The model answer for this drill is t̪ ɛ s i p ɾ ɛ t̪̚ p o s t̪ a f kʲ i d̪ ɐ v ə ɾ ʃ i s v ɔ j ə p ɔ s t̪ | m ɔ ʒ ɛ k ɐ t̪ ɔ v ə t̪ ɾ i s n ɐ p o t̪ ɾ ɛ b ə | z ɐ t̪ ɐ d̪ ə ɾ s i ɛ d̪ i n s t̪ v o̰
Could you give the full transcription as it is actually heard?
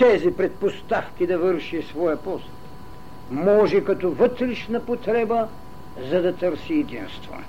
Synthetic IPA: t̪ ɛ z i p ɾ ɛ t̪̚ p o s t̪ a f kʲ i d̪ ɐ v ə ɾ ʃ i s v ɔ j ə p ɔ s t̪ | m ɔ ʒ ɛ k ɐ t̪ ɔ v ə t̪ ɾ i ʃ n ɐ p o t̪ ɾ ɛ b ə | z ɐ d̪ ɐ t̪ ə ɾ s i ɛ d̪ i n s t̪ v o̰